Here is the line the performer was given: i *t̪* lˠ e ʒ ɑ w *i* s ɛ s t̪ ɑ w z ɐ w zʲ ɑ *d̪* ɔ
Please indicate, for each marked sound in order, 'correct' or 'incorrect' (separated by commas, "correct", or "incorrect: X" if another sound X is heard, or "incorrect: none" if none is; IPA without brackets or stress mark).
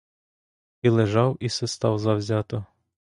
incorrect: none, correct, incorrect: t̪